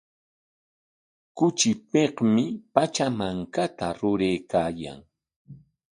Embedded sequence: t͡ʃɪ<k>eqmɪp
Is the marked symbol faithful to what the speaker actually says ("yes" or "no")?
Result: no